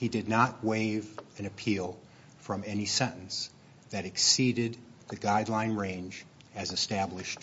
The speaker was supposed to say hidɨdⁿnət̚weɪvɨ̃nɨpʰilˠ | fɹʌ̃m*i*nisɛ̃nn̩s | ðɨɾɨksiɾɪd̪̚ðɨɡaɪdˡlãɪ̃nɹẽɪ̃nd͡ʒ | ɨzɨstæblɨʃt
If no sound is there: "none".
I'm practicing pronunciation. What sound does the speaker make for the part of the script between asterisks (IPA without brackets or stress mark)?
ɛ